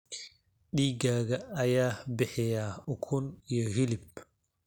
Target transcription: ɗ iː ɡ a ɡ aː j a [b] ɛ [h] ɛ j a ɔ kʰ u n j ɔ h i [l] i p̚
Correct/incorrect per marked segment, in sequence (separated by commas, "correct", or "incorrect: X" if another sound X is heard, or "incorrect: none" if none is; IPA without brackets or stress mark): correct, correct, correct